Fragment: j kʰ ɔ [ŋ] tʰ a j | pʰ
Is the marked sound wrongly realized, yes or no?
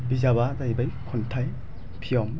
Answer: yes